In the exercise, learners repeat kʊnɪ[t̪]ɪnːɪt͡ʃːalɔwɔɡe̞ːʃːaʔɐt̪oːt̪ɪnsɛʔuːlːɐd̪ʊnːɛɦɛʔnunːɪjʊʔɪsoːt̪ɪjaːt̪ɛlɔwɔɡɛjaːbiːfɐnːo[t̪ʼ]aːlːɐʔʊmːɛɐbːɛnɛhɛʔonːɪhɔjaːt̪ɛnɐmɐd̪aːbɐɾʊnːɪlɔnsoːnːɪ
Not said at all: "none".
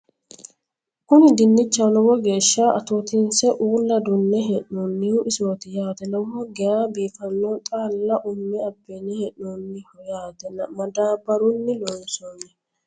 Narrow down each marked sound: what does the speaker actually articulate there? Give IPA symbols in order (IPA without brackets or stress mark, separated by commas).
d̪, t̪ʼ